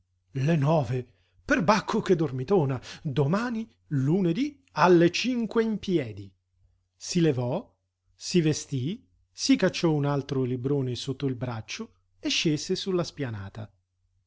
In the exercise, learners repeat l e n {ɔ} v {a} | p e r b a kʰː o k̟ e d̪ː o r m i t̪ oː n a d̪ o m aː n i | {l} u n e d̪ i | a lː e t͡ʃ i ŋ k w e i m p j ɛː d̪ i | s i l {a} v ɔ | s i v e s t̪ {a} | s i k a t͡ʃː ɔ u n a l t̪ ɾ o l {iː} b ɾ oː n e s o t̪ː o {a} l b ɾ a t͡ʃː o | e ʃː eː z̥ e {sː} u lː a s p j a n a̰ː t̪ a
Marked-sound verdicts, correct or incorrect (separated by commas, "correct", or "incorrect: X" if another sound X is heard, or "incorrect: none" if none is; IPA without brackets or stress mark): incorrect: ɔː, incorrect: e, correct, incorrect: e, incorrect: i, incorrect: i, incorrect: i, incorrect: s